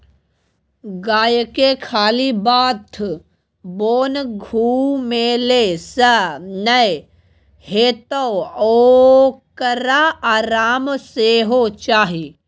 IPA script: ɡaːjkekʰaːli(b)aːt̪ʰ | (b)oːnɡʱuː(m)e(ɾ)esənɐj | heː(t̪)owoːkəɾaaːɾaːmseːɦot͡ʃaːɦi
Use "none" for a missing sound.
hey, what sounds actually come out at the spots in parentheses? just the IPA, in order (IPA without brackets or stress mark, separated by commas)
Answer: b, b, m, l, t̪